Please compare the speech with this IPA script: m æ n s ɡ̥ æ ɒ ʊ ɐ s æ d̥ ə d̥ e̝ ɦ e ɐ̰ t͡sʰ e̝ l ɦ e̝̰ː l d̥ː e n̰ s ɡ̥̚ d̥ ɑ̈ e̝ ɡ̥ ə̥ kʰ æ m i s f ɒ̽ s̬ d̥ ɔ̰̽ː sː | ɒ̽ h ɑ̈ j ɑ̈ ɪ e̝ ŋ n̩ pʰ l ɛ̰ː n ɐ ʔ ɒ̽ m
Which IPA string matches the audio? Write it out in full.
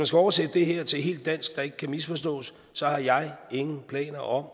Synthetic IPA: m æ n s ɡ̥ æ ɒ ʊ ɐ s e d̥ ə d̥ e̝ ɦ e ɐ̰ t͡sʰ e̝ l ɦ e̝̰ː l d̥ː æ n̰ s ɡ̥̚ d̥ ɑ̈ e̝ ɡ̥ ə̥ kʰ æ m i s f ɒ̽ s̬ d̥ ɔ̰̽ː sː | ɒ̽ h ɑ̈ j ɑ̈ ɪ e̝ ŋ n̩ pʰ l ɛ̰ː n ɐ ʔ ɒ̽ m